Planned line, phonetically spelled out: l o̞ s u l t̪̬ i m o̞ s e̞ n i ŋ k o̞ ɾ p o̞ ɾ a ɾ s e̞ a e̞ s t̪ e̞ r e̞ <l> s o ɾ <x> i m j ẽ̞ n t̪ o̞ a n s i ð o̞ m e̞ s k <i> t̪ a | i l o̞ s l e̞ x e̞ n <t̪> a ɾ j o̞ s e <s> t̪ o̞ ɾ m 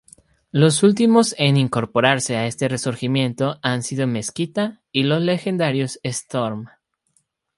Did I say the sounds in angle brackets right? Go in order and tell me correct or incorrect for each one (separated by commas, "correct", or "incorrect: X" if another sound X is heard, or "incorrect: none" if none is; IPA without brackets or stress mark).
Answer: incorrect: none, correct, correct, incorrect: d̪, correct